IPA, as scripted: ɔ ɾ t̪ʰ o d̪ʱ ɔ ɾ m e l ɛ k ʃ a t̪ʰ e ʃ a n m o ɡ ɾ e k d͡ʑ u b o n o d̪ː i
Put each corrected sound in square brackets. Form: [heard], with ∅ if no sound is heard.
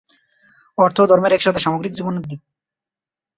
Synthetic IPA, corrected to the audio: ɔ ɾ t̪ʰ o d̪ʱ ɔ ɾ m e [ɾ] ɛ k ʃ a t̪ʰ e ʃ a [∅] m o ɡ ɾ [i] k d͡ʑ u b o n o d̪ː i